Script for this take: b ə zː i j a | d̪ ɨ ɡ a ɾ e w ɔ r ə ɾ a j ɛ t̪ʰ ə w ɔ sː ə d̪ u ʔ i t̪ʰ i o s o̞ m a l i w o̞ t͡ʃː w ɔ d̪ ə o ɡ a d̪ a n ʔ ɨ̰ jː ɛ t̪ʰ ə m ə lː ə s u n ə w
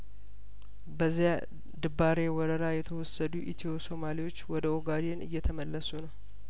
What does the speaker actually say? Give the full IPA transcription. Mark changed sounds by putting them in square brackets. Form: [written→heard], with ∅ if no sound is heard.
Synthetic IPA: b ə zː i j a | d̪ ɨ [ɡ→b] a ɾ e w ɔ [r→ɾ] ə ɾ a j ɛ t̪ʰ ə w ɔ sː ə d̪ u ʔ i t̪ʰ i o s o̞ m a l i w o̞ t͡ʃː w ɔ d̪ ə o ɡ a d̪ [a→e] n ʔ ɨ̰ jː ɛ t̪ʰ ə m ə lː ə s u n ə w